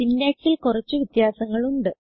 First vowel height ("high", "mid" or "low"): high